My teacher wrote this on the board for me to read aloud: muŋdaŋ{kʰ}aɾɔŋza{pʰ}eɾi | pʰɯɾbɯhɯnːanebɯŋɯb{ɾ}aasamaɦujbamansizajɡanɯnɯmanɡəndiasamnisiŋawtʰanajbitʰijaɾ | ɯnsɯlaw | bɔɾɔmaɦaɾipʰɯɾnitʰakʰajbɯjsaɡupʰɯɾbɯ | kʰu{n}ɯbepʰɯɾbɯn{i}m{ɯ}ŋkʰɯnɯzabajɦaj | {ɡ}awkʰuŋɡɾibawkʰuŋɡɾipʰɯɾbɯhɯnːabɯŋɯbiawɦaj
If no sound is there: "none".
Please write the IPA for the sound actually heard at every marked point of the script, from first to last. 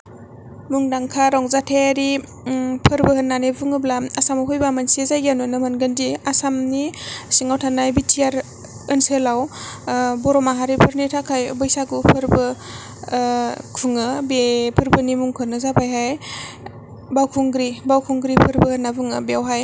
kʰ, tʰ, l, ŋ, i, u, b

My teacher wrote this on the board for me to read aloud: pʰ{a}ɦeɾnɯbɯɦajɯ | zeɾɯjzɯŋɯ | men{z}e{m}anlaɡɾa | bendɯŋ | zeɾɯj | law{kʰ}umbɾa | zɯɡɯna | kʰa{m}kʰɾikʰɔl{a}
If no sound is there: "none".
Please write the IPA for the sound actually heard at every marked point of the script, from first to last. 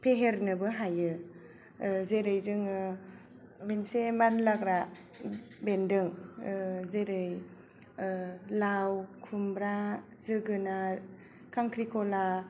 e, s, m, kʰ, ŋ, a

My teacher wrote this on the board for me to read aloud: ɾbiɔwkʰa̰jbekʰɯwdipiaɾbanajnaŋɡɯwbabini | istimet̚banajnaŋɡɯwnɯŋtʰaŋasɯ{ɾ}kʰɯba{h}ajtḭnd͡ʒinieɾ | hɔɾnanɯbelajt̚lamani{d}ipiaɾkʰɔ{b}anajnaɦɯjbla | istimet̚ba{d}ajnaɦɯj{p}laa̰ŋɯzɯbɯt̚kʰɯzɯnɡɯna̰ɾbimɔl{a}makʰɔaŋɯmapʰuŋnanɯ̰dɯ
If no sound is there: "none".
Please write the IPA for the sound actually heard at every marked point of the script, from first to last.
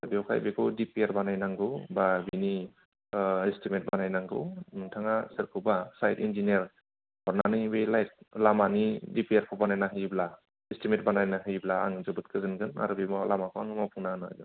ɾ, s, d, b, n, b, a

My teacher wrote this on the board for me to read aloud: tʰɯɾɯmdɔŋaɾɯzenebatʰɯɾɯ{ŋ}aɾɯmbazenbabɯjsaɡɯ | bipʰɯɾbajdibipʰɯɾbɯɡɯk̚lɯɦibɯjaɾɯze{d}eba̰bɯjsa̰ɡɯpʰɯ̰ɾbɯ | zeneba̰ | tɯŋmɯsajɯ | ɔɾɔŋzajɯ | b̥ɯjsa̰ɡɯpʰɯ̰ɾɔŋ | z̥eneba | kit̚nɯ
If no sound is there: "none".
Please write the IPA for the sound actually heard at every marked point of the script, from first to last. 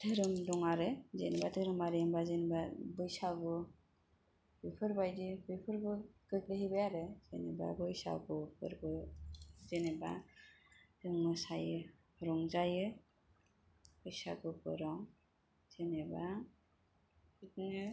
m, n

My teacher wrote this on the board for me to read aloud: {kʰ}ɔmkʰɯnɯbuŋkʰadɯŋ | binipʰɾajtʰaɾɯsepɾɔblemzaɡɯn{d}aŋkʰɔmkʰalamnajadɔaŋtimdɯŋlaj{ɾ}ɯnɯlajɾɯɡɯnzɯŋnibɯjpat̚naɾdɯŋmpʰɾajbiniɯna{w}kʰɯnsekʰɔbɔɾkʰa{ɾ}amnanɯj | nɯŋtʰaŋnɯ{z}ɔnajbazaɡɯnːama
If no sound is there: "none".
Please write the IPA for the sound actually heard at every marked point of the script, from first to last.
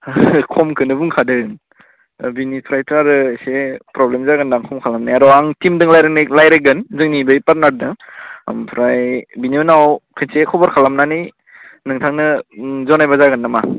kʰ, d, ɾ, w, l, z

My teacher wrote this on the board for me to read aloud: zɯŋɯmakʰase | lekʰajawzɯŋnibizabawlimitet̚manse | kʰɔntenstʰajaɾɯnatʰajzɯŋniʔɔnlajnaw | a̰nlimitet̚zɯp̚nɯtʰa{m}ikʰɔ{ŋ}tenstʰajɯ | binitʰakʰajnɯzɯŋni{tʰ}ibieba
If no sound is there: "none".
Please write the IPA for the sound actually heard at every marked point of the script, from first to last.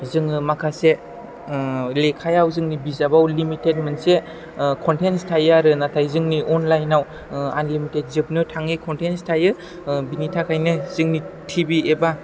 ŋ, n, tʰ

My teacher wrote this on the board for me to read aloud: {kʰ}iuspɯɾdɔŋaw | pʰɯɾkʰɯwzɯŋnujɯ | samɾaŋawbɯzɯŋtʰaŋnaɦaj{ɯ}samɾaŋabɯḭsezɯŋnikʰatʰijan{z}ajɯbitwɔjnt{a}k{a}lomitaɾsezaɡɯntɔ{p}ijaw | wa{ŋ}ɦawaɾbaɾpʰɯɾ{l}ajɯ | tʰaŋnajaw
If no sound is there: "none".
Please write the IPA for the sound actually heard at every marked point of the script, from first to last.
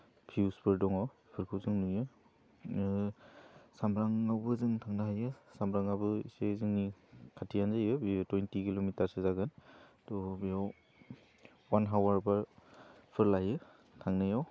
pʰ, ɯ, z, i, i, b, n, l

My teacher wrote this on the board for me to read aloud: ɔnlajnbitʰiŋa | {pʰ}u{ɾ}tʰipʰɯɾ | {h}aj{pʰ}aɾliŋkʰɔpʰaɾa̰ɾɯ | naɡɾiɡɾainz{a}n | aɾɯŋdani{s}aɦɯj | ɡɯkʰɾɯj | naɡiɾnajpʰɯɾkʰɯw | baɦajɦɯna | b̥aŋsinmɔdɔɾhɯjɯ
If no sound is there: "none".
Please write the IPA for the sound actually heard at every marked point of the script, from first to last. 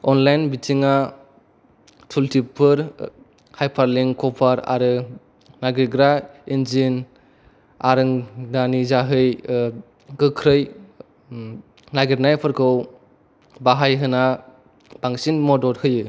tʰ, l, h, pʰ, i, z

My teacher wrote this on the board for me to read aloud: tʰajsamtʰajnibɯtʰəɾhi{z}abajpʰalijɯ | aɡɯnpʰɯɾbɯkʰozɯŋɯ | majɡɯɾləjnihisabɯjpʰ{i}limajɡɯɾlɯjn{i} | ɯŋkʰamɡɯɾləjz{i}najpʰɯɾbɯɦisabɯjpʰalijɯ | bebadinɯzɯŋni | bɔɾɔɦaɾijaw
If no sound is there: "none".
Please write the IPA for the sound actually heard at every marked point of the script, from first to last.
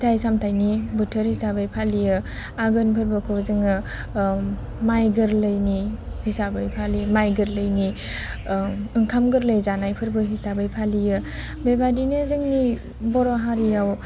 s, a, i, a

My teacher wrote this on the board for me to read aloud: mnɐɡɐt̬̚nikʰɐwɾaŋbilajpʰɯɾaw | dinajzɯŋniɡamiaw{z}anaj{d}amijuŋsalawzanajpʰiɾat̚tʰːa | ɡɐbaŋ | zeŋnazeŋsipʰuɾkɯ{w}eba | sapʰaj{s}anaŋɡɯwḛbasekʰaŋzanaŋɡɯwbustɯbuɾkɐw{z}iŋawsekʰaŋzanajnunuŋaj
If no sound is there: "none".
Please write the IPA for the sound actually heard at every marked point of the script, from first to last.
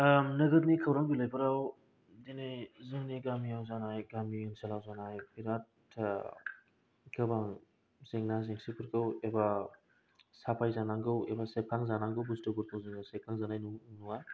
z, ɡ, w, z, z

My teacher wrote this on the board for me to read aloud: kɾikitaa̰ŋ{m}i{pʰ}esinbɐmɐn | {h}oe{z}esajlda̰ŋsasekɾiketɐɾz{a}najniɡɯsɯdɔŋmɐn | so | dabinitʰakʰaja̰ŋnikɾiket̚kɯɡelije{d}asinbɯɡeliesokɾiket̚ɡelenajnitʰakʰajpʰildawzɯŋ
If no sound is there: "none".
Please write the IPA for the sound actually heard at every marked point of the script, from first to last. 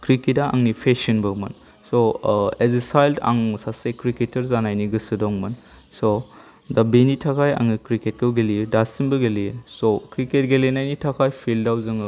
n, pʰ, s, z, a, d

